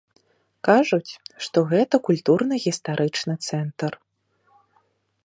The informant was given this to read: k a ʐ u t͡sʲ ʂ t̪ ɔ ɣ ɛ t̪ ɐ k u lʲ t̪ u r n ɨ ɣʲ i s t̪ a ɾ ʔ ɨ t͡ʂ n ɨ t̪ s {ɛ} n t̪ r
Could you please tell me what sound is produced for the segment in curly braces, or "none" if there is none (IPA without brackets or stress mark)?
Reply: ɛ